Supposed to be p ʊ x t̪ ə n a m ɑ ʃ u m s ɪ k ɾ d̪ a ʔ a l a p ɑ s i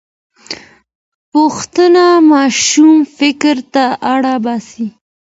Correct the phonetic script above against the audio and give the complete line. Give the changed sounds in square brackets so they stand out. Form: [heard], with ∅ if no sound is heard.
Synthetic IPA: p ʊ x t̪ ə n a m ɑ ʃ u m [f] ɪ k ɾ [t̪] a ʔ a [ɽ] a [b] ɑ s i